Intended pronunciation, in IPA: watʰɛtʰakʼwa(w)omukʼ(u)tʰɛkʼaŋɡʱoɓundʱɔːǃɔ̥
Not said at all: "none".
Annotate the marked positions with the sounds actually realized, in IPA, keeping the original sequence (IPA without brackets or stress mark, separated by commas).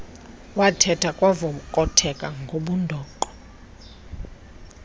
v, ɔ